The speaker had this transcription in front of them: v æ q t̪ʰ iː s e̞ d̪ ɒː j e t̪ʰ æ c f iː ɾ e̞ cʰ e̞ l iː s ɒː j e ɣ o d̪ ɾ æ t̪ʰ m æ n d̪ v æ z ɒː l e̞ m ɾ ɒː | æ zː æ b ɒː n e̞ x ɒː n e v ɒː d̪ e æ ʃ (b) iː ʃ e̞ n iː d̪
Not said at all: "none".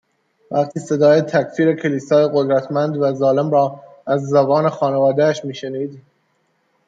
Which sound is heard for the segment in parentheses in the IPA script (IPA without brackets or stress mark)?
m